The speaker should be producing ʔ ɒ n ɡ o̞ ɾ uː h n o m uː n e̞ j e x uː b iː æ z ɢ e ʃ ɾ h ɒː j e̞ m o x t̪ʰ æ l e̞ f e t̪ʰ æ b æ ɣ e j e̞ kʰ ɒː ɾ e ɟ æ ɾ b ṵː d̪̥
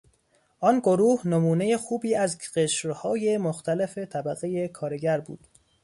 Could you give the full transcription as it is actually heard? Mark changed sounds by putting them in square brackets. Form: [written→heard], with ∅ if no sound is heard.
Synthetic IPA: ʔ ɒ n ɡ o̞ ɾ uː h n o m uː n e̞ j e x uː b iː æ z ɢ e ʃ ɾ h ɒː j e̞ m o x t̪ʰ æ l e̞ f e t̪ʰ æ b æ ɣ e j e̞ kʰ ɒː ɾ e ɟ æ ɾ b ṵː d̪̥

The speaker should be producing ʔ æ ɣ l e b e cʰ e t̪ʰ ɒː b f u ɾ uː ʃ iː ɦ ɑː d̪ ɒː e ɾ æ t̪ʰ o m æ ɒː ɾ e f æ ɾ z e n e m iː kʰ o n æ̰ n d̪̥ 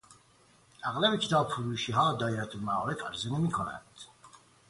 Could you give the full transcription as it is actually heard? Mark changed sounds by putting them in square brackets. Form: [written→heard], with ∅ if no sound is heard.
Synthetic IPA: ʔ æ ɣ l [e→æ] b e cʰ e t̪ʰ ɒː b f u ɾ uː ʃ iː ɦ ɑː d̪ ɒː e ɾ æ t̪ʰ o m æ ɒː ɾ e f æ ɾ z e n e m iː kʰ o n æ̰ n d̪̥

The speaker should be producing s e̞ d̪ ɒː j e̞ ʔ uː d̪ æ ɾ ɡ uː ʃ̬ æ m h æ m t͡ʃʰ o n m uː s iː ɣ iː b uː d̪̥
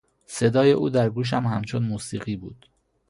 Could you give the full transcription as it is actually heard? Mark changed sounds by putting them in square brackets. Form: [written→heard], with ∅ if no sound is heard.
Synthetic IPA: s e̞ d̪ ɒː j e̞ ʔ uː d̪ æ ɾ ɡ uː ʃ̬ æ m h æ m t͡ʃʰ o n m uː s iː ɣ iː b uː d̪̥

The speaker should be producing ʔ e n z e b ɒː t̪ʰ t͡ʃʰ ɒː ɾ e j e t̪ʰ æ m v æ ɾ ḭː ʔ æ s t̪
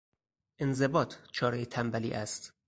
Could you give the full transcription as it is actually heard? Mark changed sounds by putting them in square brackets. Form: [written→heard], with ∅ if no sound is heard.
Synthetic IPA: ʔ e n z e b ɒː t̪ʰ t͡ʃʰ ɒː ɾ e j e t̪ʰ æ m [v→b] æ [ɾ→l] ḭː ʔ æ s t̪

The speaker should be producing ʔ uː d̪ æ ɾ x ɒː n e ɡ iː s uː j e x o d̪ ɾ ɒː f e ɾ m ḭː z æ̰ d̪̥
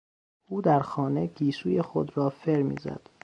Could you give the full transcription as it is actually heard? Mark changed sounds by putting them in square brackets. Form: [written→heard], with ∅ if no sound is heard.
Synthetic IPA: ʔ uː d̪ æ ɾ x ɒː n e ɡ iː s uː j e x o d̪ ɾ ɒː f e ɾ m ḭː z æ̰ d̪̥

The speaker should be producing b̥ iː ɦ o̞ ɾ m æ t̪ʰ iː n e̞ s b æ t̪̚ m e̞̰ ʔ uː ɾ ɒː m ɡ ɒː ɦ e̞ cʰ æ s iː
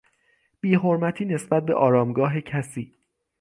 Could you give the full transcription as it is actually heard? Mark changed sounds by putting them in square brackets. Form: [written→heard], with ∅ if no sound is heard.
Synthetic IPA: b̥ iː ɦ o̞ ɾ m æ t̪ʰ iː n e̞ s b æ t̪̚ [m→b] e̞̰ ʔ [uː→ɒː] ɾ ɒː m ɡ ɒː ɦ e̞ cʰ æ s iː

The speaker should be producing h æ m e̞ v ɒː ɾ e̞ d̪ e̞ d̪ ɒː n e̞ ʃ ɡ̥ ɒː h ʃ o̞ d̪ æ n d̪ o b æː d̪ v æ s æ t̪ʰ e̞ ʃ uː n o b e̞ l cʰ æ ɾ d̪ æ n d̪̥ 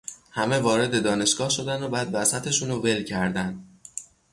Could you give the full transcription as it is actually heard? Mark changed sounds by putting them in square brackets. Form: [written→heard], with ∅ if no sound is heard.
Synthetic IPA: h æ m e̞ v ɒː ɾ e̞ d̪ e̞ d̪ ɒː n e̞ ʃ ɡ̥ ɒː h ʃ o̞ d̪ æ n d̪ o b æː d̪ v æ s æ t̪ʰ e̞ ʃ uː n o [b→v] e̞ l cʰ æ ɾ d̪ æ n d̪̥

